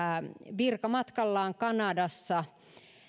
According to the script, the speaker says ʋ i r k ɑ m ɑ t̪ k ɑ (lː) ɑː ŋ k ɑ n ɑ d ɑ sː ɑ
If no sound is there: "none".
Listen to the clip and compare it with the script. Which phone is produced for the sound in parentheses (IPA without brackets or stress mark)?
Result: lː